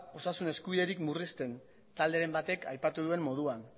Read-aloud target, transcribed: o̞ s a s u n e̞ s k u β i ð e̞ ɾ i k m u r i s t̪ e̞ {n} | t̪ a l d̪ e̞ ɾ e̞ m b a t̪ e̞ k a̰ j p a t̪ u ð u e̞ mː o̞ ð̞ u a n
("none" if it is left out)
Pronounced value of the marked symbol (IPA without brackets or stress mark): n